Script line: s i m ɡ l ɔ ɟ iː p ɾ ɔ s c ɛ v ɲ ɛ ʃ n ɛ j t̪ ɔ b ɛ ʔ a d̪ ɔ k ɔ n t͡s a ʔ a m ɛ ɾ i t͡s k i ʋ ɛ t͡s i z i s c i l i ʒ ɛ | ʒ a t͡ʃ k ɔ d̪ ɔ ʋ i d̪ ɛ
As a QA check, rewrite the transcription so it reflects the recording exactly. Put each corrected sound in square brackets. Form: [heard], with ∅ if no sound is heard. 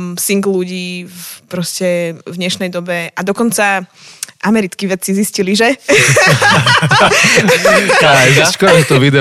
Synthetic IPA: s i [ŋ] ɡ l [u] ɟ iː p ɾ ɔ s c ɛ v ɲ ɛ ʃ n ɛ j [d̪] ɔ b ɛ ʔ a d̪ ɔ k ɔ n t͡s a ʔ a m ɛ ɾ i t͡s k i ʋ ɛ t͡s i z i s c i l i ʒ ɛ | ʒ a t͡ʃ k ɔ [t̪] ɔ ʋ i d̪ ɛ